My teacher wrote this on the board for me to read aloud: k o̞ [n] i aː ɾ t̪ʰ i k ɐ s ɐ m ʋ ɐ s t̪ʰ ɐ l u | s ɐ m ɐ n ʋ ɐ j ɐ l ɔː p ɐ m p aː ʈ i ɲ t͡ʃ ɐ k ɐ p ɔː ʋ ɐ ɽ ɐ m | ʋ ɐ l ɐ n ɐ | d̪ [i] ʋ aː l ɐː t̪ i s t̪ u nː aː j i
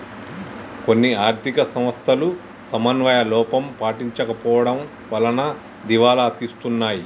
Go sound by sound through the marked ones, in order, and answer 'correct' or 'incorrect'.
incorrect: nː, correct

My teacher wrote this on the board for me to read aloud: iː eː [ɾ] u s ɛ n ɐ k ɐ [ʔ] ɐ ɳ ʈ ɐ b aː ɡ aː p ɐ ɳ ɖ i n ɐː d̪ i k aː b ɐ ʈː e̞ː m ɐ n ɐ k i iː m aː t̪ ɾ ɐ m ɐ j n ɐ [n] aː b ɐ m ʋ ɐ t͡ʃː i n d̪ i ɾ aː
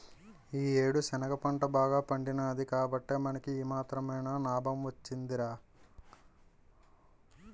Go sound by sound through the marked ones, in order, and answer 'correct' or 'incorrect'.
incorrect: ɽ, incorrect: p, correct

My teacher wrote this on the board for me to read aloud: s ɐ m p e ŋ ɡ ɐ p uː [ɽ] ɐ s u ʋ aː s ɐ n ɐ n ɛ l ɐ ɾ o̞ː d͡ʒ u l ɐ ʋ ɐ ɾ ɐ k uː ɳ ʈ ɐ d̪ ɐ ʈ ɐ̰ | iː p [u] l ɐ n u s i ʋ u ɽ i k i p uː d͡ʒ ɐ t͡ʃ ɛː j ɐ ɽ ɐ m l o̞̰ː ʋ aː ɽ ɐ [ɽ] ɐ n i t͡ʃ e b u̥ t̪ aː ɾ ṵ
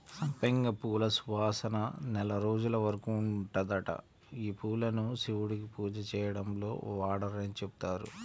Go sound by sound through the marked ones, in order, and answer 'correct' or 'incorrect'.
incorrect: l, incorrect: uː, incorrect: ɾ

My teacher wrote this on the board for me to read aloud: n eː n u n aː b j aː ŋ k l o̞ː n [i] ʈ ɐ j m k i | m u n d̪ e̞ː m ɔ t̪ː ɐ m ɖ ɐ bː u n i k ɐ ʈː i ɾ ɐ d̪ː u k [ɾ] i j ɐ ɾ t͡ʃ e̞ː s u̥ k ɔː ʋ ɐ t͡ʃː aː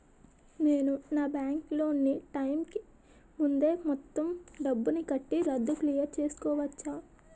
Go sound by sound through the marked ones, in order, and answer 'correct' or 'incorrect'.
correct, incorrect: l

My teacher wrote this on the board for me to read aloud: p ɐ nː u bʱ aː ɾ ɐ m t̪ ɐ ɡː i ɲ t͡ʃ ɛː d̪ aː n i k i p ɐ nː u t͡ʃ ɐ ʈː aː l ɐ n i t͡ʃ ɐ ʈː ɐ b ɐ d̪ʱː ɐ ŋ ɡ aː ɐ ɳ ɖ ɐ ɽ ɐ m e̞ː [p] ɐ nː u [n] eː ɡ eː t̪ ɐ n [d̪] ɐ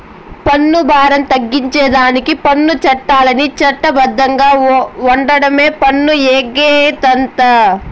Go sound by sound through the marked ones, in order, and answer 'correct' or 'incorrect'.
correct, incorrect: none, incorrect: t̪

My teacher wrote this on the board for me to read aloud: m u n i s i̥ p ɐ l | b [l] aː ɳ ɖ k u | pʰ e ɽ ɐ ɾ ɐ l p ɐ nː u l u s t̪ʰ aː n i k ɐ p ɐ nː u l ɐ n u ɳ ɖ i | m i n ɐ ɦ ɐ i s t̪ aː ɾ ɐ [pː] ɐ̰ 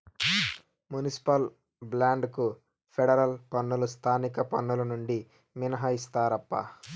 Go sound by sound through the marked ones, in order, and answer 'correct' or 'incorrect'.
correct, correct

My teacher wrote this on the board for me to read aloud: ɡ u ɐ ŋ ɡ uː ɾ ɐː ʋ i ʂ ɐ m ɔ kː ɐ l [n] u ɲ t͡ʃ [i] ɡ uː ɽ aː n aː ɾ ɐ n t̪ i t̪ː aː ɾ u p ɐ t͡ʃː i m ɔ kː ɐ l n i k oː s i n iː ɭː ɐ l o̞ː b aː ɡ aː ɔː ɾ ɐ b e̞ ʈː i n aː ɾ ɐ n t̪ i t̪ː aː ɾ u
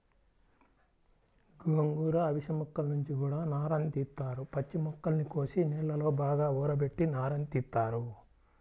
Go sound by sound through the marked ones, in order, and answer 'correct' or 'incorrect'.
correct, correct

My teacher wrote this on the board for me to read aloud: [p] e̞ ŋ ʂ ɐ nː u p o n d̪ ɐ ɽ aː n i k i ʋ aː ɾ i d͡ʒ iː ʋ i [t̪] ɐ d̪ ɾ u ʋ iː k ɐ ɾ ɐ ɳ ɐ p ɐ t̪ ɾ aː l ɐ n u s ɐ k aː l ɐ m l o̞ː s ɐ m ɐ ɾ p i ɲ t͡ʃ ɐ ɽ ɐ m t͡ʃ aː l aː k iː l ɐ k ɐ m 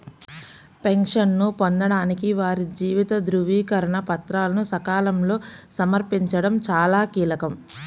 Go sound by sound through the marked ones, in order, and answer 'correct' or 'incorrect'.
correct, correct

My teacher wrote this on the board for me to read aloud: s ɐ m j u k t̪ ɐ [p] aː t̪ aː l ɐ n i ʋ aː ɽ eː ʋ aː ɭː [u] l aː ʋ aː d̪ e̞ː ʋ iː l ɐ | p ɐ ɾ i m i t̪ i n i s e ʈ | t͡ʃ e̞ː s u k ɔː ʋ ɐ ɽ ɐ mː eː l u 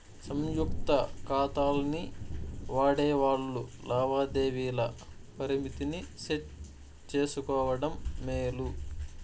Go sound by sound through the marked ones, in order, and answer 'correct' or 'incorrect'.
incorrect: k, correct

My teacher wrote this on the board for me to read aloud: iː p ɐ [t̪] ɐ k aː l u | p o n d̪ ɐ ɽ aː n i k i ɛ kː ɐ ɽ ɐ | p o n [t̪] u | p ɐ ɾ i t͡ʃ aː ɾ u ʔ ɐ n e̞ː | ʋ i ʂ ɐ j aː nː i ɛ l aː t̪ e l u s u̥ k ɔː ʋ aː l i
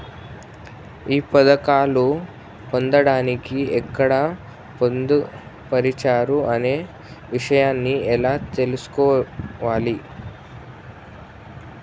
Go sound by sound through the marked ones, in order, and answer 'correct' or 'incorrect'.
incorrect: d̪, incorrect: d̪

